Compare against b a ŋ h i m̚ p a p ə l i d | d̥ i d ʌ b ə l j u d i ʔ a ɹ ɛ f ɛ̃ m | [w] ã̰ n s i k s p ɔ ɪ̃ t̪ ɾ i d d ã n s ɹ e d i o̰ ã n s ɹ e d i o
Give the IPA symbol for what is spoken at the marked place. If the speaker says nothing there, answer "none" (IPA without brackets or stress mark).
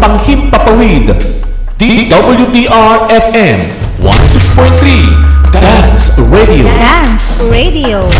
w